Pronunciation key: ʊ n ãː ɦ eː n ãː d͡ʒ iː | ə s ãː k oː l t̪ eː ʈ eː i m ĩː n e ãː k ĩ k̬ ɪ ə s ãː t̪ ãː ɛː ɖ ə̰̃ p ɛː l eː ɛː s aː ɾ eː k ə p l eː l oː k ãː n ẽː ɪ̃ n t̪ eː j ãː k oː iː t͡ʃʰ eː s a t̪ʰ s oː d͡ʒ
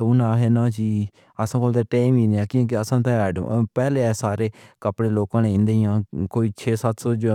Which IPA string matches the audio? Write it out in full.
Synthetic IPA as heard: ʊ n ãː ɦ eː n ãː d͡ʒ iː | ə s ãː k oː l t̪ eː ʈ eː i m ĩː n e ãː k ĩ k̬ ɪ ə s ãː t̪ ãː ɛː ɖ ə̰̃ p ɛː l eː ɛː s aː ɾ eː k ə p ɽ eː l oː k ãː n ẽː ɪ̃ n d̪ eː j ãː k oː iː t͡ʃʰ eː s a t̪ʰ s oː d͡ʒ